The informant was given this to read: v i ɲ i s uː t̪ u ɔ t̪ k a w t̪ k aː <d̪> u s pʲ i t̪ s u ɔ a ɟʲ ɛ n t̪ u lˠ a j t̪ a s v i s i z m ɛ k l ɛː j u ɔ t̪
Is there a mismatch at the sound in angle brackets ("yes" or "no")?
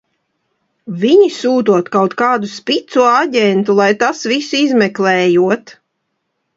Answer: no